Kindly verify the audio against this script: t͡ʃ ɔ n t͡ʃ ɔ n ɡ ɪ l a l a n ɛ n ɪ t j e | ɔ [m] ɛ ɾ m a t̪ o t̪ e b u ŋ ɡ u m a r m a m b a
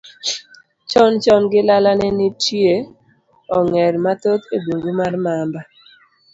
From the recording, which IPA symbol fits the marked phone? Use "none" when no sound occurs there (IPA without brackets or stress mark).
ŋ